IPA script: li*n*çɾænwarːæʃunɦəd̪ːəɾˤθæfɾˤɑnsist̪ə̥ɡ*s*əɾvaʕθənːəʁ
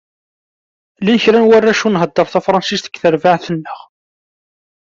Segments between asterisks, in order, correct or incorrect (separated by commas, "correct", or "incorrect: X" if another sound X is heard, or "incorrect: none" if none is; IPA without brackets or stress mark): correct, incorrect: θ